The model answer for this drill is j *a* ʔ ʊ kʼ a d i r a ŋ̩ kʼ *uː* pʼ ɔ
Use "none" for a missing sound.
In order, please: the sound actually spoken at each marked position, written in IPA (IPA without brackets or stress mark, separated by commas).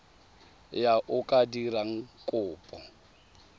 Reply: a, ʊː